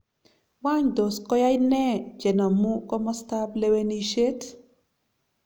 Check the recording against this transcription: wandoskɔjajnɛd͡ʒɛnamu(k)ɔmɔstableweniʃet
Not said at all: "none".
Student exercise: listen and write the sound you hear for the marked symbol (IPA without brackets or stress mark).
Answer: k